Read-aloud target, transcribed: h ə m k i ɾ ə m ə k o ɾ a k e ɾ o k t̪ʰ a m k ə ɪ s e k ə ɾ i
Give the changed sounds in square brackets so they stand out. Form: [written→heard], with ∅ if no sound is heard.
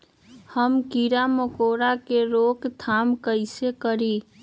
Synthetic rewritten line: h ə m k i ɾ [ə→a] m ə k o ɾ a k e ɾ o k t̪ʰ a m k ə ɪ s e k ə ɾ i

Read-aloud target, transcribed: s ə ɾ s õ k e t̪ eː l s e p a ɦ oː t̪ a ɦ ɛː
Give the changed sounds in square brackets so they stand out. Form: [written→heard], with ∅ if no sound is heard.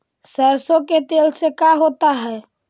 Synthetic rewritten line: s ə ɾ s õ k e t̪ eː l s e [p→k] a ɦ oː t̪ a ɦ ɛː

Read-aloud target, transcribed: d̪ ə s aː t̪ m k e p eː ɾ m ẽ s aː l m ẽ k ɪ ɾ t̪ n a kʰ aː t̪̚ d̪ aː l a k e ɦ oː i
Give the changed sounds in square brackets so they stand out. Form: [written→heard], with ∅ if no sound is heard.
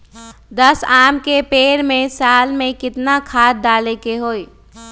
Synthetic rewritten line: d̪ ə s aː [t̪→∅] m k e p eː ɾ m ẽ s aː l m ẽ k ɪ [ɾ→∅] t̪ n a kʰ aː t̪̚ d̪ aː l [a→e] k e ɦ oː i

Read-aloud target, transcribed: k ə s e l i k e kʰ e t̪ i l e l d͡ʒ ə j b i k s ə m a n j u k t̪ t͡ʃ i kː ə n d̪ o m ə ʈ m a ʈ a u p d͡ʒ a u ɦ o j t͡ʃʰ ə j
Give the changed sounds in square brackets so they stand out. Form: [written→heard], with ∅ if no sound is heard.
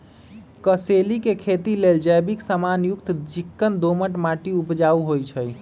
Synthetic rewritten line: k ə s e l i k e kʰ e t̪ i l e l d͡ʒ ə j b i k s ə m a n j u k t̪ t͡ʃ i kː ə n d̪ o m ə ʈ m a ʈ [a→i] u p d͡ʒ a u ɦ o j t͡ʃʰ ə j

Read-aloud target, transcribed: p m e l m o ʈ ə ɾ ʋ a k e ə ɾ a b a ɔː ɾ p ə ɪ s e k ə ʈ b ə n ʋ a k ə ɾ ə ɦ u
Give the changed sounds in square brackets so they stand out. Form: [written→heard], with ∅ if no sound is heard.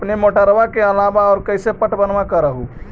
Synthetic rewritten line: p [m→n] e [l→∅] m o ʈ ə ɾ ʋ a k e ə [ɾ→l] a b a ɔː ɾ [p→k] ə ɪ s e [k→p] ə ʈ b ə n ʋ a k ə ɾ ə ɦ u

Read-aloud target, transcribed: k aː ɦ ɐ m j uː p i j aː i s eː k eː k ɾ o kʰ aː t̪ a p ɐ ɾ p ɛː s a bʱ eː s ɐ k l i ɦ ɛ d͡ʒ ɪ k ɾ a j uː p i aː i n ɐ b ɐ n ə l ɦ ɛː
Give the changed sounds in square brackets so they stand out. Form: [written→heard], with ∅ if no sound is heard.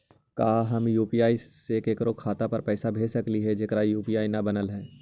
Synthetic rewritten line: k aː ɦ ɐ m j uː p i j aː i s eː k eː k ɾ o kʰ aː t̪ a p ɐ ɾ p ɛː s a bʱ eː s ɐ k l i ɦ ɛ d͡ʒ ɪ k ɾ a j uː p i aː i n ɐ b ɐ n ə l ɦ ɛː

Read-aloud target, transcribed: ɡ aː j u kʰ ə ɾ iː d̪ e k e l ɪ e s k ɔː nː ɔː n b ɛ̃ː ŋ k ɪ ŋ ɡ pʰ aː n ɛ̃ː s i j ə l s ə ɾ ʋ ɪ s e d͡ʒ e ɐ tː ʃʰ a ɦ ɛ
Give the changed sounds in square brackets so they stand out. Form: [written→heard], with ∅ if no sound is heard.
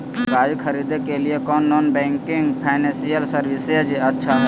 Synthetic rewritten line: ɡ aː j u kʰ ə ɾ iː d̪ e k e l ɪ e [s→∅] k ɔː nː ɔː n b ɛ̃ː ŋ k ɪ ŋ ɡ pʰ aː n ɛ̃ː s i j ə l s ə ɾ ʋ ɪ s e d͡ʒ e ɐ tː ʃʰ a ɦ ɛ

